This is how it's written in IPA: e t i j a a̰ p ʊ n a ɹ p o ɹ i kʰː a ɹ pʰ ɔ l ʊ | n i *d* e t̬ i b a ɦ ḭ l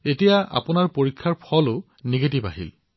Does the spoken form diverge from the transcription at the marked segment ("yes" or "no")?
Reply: yes